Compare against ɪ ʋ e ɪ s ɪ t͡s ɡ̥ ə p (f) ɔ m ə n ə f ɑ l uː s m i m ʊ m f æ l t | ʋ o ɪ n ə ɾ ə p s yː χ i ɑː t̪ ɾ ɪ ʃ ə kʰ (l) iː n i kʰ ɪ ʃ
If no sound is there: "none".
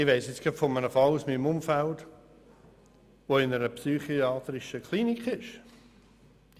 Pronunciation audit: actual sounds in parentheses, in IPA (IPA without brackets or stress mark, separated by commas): f, l